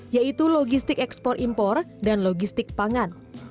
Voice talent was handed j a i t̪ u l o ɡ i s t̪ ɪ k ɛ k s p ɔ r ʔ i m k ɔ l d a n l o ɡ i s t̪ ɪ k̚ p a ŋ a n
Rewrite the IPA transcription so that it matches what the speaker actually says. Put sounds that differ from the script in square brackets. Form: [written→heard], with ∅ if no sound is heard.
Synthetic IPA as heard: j a i t̪ u l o ɡ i s t̪ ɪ k ɛ k s p ɔ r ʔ i m [k→p] ɔ [l→r] d a n l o ɡ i s t̪ ɪ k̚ p a ŋ a n